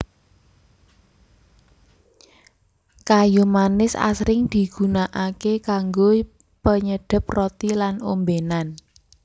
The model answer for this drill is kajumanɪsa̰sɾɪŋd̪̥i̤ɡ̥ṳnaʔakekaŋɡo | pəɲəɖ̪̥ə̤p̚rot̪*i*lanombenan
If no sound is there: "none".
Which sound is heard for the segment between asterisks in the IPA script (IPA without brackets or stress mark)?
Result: i